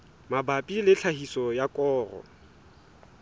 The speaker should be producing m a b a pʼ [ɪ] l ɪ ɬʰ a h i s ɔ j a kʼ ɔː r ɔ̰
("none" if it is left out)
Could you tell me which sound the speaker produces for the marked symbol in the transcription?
i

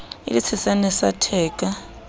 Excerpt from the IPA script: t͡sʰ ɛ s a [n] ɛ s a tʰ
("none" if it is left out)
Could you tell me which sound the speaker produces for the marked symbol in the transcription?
n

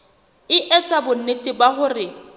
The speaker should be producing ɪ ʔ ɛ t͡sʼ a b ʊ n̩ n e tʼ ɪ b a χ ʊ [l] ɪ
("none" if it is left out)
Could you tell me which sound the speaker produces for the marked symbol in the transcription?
r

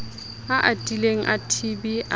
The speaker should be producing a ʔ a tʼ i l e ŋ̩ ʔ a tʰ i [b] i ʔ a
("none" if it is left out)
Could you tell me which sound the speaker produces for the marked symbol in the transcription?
b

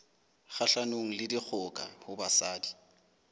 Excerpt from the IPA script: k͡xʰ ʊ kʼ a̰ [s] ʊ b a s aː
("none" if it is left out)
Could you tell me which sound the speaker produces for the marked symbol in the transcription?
h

